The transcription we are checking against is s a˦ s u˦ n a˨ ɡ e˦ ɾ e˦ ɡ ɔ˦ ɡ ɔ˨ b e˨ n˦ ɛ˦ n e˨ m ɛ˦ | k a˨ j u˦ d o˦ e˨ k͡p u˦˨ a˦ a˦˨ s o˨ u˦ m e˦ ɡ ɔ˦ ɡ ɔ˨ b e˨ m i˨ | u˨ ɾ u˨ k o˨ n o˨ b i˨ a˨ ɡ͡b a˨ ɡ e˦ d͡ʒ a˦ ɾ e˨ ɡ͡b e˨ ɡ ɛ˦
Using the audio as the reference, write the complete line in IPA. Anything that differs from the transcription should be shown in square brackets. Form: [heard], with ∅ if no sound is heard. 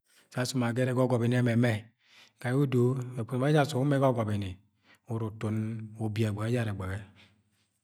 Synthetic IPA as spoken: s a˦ s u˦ [m] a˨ ɡ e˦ ɾ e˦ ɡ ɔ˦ ɡ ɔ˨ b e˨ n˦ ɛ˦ [m] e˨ m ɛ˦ | k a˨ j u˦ d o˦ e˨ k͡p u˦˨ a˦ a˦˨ s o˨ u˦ m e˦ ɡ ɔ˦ ɡ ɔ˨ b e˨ [n] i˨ | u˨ ɾ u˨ [t] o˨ n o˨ b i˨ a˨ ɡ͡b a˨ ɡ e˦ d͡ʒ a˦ ɾ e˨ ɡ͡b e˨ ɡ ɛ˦

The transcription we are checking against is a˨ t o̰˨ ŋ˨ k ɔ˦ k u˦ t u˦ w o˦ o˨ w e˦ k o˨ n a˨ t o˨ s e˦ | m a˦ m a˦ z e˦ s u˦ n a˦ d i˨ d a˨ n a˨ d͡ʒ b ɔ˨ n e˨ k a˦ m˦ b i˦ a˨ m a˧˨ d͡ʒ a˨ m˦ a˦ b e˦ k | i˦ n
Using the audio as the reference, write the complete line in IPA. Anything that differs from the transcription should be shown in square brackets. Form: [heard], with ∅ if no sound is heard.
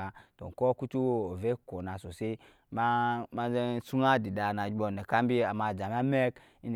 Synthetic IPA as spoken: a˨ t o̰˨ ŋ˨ k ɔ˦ k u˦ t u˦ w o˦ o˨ [v] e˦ k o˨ n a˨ [s] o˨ s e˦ | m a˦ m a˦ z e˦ s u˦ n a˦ d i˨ d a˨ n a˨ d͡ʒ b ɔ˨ n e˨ k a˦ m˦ b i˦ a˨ m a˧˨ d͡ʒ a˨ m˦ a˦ [m] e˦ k | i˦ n

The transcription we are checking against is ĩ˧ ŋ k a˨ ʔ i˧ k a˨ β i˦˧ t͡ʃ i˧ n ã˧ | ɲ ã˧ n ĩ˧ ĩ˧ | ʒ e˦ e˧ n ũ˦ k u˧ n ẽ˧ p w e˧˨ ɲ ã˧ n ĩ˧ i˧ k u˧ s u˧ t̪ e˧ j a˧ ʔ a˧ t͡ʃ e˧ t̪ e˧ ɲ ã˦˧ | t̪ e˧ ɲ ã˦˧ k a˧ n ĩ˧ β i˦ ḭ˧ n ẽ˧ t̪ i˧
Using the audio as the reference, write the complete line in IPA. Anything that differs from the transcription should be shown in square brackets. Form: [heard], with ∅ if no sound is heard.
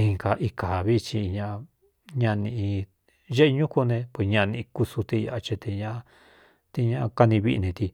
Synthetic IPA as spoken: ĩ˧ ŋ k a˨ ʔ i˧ k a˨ β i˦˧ t͡ʃ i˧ [ɲ] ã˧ | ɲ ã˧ n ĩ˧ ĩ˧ | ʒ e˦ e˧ [ɲ] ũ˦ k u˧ n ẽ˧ p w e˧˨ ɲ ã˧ n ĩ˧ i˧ k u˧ s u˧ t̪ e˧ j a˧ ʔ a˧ t͡ʃ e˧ t̪ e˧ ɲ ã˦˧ | t̪ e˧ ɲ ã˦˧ k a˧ n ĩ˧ β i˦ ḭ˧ n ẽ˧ t̪ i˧

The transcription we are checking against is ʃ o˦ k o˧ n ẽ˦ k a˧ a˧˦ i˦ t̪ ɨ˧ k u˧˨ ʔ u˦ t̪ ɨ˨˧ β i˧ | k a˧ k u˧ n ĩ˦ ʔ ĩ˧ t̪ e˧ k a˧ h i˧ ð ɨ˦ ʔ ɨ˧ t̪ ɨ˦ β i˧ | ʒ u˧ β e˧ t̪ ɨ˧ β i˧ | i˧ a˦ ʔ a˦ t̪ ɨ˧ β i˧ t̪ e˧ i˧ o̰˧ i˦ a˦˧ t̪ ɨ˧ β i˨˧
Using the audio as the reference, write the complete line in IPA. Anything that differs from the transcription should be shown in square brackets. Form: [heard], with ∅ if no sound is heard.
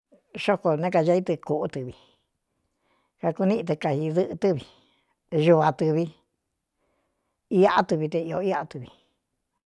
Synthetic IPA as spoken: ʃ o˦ k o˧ n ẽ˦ k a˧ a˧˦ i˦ t̪ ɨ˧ k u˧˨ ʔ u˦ t̪ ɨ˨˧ β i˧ | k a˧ k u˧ n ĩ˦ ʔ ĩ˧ t̪ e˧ k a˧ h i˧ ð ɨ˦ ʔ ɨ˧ t̪ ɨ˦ β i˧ | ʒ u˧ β [a˧] t̪ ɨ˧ β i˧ | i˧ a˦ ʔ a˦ t̪ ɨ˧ β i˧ t̪ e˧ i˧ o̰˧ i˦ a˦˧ t̪ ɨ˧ β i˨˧

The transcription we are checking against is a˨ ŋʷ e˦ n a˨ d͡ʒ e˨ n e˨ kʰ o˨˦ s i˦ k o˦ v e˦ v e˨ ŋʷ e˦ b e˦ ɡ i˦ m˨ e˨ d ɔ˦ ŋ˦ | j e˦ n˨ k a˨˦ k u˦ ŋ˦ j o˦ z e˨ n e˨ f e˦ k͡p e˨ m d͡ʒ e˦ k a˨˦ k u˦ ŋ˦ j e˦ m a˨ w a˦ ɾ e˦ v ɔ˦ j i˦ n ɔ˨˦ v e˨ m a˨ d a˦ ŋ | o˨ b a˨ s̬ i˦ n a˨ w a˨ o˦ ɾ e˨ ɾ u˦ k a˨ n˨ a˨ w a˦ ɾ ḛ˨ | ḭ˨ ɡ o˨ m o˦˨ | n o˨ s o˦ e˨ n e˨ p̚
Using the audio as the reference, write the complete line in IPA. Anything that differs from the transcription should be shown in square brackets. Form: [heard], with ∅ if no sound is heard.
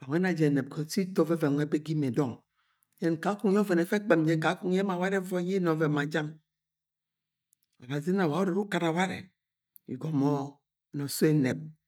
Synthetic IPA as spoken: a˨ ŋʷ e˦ n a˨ d͡ʒ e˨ n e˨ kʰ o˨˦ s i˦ [t] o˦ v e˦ v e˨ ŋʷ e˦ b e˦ ɡ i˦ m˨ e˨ d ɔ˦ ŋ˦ | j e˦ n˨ k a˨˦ k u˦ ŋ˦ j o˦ [v] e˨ n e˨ f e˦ k͡p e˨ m d͡ʒ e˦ k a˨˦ k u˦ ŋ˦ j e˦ m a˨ w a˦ ɾ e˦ v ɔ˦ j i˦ n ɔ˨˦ v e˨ m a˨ [d͡ʒ] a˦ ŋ | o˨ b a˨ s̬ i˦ n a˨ w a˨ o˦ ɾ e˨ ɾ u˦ k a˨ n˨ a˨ w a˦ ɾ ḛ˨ | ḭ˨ ɡ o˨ m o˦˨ | n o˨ s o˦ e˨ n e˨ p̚

